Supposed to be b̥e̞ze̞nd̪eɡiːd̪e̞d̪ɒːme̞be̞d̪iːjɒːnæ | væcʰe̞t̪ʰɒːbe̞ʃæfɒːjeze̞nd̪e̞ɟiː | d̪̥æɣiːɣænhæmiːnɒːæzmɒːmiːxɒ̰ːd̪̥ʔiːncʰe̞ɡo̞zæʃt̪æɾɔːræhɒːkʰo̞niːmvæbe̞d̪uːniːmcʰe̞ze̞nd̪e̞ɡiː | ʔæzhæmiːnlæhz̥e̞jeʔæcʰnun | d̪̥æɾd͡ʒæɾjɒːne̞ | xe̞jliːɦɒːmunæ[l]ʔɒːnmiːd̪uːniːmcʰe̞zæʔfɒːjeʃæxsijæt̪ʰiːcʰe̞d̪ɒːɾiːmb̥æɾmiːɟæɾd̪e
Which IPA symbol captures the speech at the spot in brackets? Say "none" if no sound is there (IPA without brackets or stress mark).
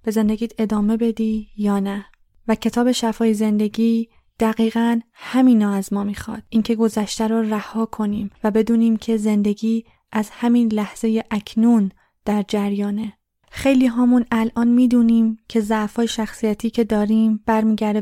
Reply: l